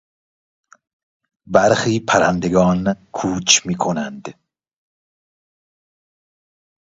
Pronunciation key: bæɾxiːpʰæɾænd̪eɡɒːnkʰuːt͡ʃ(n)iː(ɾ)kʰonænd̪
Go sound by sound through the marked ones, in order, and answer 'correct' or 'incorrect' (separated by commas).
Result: incorrect, incorrect